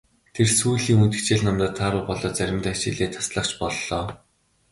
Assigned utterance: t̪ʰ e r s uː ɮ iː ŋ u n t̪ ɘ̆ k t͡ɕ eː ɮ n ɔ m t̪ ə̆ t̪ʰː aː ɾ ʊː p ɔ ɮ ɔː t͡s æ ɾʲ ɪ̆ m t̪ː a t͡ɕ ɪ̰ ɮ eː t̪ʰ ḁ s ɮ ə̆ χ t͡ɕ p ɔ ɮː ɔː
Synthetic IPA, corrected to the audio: t̪ʰ e r s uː ɮ iː ŋ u n t̪ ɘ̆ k t͡ɕ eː ɮ n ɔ m t̪ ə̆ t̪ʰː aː ɾ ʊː p ɔ ɮ ɔː t͡s æ ɾʲ ɪ̆ m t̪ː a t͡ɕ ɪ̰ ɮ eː t̪ʰ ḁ s ɮ ə̆ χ t͡ɕ p ɔ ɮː ɔː